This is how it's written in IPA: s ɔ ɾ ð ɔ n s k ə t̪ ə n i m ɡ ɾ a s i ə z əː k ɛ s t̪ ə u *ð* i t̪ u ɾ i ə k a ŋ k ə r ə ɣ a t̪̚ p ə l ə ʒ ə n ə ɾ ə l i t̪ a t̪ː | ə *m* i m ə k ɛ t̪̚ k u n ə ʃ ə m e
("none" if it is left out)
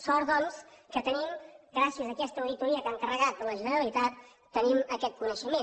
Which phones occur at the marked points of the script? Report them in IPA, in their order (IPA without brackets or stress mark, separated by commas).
ð, n